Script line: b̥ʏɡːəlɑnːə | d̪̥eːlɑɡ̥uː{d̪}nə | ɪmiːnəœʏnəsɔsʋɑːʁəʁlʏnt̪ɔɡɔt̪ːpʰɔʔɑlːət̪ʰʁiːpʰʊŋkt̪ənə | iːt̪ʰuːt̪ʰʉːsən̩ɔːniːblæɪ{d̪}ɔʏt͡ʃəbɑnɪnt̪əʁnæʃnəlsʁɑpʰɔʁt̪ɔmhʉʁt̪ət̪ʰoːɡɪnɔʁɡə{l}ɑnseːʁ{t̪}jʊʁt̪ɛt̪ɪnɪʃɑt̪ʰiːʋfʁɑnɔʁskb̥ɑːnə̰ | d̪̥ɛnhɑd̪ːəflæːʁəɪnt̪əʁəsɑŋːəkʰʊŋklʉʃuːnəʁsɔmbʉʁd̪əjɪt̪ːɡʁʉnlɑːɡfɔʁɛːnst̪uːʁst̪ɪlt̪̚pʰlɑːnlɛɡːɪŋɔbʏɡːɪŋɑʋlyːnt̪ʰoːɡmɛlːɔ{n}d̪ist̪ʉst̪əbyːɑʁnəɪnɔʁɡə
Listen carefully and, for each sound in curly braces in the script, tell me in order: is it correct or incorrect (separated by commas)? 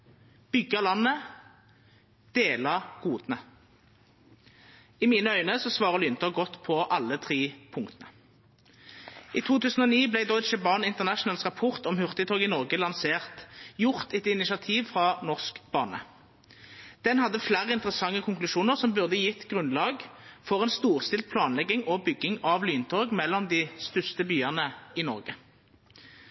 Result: correct, correct, correct, correct, incorrect